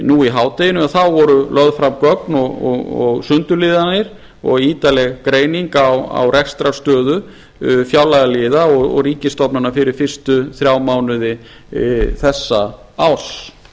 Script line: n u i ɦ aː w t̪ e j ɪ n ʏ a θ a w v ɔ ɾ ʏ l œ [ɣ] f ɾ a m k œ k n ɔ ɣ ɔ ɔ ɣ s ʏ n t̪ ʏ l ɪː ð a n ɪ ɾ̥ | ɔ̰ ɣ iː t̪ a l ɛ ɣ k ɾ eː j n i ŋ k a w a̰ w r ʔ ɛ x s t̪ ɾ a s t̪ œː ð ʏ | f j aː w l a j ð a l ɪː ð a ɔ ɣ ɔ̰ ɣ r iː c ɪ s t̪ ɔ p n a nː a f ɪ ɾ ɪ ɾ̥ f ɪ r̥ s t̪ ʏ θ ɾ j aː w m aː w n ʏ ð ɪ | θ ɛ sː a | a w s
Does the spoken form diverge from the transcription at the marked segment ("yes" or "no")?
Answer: yes